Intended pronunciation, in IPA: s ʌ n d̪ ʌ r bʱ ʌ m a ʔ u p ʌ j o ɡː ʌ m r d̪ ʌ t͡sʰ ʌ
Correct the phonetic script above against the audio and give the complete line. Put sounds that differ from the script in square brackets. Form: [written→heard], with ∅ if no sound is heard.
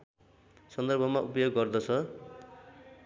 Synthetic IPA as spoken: s ʌ n d̪ ʌ r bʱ ʌ m a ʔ u p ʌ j o ɡː ʌ [m→∅] r d̪ ʌ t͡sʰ ʌ